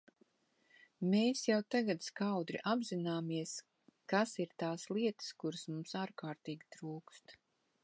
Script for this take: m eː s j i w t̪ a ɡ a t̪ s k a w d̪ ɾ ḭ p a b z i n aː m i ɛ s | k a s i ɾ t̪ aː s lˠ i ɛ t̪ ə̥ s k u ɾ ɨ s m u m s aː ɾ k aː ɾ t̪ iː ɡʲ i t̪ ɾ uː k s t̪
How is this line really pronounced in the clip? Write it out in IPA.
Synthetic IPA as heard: m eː s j a w t̪ a ɡ a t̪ s k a w d̪ ɾ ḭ ʔ a b z i n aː m i ɛ s | k a s i ɾ t̪ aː s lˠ i ɛ t̪ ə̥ s k u ɾ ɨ s m u m s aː ɾ k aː ɾ t̪ iː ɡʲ i t̪ ɾ uː k s t̪